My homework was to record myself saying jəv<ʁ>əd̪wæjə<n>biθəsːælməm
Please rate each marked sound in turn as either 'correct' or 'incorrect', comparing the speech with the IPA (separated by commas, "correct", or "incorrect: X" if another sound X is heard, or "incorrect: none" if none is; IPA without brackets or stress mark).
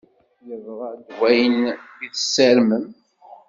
correct, correct